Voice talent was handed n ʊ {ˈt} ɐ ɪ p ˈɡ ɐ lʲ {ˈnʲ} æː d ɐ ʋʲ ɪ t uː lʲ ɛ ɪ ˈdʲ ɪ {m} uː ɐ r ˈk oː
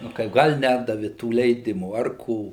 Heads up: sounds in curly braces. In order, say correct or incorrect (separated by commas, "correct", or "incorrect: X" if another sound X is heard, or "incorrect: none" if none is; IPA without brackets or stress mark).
incorrect: k, correct, correct